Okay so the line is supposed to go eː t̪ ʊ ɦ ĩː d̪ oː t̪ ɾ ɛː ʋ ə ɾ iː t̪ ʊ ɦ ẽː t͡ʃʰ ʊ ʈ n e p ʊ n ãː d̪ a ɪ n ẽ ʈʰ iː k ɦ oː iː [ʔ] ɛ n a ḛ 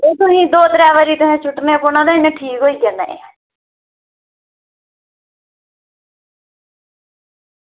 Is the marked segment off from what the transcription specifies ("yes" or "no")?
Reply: yes